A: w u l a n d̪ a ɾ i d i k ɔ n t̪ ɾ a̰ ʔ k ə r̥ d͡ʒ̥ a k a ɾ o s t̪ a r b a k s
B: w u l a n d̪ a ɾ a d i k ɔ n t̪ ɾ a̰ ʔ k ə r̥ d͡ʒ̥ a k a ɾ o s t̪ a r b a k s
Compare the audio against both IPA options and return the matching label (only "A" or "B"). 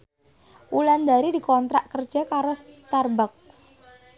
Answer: A